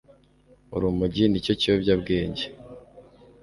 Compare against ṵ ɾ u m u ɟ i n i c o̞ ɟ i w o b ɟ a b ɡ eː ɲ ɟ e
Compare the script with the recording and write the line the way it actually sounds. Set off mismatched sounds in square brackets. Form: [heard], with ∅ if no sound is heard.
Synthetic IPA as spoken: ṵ ɾ u m u ɟ i n i c o̞ [c] i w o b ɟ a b ɡ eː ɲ ɟ e